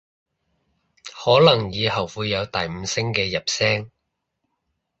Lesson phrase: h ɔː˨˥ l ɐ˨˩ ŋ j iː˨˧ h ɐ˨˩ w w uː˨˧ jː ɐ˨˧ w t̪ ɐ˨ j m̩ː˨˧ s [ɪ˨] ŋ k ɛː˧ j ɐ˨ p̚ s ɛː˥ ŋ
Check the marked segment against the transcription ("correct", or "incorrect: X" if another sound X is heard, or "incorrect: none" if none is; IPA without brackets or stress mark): incorrect: ɪ˥